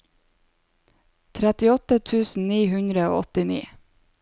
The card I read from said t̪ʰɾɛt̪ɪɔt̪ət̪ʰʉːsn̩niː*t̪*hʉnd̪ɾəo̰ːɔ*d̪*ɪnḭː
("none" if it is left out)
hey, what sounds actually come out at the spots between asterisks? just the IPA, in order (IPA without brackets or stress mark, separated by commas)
none, t̪